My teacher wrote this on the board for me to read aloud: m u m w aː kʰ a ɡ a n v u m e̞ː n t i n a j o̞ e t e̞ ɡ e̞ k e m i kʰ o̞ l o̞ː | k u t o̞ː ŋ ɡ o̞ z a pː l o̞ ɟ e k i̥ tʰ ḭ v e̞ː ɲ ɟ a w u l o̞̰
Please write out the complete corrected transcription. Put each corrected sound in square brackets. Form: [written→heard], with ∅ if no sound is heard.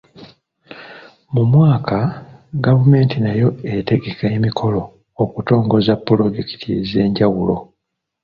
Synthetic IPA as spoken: m u m w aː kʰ a ɡ a [n→∅] v u m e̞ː n t i n a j o̞ e t e̞ ɡ e̞ k e m i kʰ o̞ l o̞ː | k u t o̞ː ŋ ɡ o̞ z a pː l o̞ ɟ e k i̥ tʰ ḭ [v→z] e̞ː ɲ ɟ a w u l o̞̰